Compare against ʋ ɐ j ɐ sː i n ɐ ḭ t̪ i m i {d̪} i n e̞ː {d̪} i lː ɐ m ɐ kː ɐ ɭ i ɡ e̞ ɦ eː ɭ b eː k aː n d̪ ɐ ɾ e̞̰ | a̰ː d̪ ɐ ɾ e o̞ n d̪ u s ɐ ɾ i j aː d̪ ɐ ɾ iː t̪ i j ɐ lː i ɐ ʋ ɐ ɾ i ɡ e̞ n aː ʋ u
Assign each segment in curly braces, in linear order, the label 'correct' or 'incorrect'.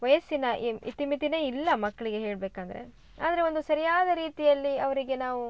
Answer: incorrect, incorrect

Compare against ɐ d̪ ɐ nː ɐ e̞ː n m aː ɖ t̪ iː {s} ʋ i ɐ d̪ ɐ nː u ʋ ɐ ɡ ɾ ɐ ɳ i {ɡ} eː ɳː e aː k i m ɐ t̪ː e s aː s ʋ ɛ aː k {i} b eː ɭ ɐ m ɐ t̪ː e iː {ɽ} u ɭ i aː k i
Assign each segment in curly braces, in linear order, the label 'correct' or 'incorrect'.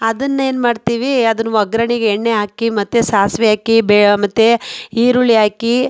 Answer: incorrect, correct, correct, incorrect

